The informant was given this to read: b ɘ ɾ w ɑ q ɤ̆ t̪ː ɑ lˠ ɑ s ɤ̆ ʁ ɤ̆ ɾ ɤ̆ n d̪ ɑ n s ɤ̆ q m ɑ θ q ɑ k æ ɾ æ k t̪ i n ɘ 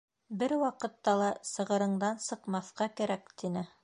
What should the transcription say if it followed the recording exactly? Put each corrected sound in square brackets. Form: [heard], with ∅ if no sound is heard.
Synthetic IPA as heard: b ɘ ɾ w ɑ q ɤ̆ t̪ː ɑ lˠ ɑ s ɤ̆ ʁ ɤ̆ ɾ ɤ̆ [ɴ] d̪ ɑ n s ɤ̆ q m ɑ θ q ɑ k æ ɾ æ k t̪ i n ɘ